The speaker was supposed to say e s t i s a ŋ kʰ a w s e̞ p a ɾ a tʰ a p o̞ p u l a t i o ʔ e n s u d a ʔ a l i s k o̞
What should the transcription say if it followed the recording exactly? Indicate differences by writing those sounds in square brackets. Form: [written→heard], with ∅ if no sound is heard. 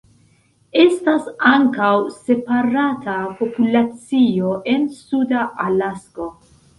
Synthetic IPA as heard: e s t [i→a] s a ŋ [kʰ→k] a w s e̞ p a ɾ a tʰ a p o̞ p u l a [t→t͡s] i o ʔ e n s u d a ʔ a l [i→a] s k o̞